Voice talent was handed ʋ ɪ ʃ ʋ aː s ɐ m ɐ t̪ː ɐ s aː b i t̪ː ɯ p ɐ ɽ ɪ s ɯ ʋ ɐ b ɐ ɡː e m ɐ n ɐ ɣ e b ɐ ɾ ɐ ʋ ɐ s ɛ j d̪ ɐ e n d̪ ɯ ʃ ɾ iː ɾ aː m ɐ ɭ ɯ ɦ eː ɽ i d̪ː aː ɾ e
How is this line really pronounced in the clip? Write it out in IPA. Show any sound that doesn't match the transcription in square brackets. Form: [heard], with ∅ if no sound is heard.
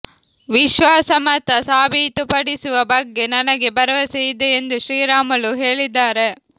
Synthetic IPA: ʋ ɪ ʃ ʋ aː s ɐ m ɐ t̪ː ɐ s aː b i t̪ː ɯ p ɐ ɽ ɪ s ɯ ʋ ɐ b ɐ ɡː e [n] ɐ n ɐ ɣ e b ɐ ɾ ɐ ʋ ɐ s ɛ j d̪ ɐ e n d̪ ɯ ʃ ɾ iː ɾ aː m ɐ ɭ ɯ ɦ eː [ɭ] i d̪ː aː ɾ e